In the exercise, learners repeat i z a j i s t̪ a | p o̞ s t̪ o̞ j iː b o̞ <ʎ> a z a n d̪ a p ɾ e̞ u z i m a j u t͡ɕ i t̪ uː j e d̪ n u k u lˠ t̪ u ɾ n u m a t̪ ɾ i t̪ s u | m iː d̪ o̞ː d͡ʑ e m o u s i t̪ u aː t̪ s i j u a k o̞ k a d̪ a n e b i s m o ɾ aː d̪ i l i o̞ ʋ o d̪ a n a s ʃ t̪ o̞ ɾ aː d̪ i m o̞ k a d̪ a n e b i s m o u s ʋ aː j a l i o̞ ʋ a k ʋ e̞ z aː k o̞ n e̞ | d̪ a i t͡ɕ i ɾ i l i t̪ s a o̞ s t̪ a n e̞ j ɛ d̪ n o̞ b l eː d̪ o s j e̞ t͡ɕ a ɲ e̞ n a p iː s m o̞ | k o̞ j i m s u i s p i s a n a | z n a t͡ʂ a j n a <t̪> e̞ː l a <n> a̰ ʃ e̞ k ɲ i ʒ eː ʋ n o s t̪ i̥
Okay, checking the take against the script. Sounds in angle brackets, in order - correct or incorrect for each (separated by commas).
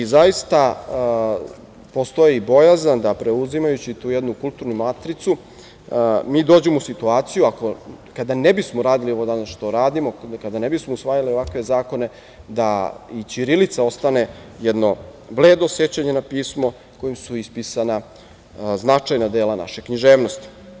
incorrect, incorrect, correct